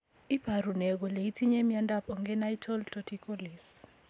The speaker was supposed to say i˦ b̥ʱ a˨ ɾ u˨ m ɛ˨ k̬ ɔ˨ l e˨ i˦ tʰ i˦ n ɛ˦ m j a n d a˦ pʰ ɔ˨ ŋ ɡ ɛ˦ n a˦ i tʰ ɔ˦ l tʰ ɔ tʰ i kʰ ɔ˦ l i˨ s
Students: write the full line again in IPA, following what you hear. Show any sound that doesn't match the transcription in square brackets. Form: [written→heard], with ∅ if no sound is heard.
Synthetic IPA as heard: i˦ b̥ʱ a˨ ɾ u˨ [m→n] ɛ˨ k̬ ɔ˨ l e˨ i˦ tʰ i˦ [n→ɲ] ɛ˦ m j a n d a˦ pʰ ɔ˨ ŋ ɡ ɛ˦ n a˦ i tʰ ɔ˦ l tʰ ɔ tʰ i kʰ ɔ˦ l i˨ s